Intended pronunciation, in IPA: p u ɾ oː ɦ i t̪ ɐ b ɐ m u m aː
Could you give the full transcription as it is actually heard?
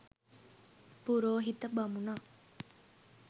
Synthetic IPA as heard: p u ɾ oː ɦ i t̪ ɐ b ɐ m u n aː